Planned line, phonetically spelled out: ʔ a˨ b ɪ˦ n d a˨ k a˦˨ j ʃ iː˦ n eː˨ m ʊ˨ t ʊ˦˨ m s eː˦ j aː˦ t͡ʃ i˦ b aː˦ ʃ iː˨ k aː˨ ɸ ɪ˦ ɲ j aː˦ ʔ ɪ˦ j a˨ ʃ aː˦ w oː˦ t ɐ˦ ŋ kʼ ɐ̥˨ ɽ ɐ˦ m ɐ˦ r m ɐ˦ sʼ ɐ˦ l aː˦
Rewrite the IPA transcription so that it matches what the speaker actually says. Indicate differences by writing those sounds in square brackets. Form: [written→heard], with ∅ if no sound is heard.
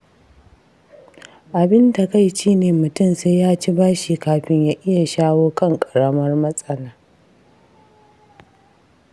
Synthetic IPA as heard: ʔ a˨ b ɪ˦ n d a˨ k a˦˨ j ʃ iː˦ n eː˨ m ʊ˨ t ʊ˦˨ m s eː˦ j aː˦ t͡ʃ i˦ b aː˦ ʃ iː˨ k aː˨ ɸ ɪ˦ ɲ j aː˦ ʔ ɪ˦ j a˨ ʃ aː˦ w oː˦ [t→k] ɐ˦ ŋ kʼ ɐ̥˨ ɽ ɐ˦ m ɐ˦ r m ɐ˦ sʼ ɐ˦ l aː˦